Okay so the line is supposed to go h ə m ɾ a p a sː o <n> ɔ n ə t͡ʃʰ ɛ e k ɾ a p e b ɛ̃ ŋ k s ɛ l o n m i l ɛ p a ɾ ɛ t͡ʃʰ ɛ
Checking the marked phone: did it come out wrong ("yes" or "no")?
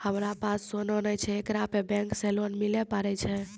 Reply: no